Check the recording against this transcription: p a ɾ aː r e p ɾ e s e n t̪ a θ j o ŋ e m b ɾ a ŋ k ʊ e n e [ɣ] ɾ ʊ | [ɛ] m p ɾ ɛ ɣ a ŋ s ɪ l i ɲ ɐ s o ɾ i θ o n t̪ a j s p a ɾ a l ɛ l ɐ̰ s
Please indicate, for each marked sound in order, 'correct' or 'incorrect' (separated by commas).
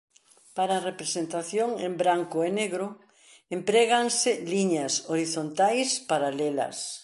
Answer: correct, incorrect